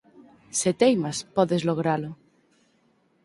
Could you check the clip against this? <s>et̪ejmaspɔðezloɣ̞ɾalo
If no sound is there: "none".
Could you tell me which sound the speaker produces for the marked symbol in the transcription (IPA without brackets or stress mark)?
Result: s